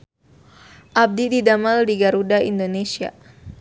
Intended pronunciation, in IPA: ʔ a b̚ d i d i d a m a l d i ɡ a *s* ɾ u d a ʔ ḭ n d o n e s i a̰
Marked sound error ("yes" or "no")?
yes